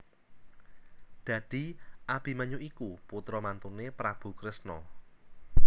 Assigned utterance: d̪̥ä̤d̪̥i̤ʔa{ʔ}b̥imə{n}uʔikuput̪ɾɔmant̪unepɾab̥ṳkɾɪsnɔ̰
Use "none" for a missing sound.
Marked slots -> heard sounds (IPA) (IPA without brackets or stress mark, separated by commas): none, ɲ